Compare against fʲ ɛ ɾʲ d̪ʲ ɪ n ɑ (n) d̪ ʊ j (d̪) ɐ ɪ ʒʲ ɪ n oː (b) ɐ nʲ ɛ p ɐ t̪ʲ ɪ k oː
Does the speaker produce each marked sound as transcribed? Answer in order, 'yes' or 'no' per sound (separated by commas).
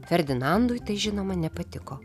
yes, no, no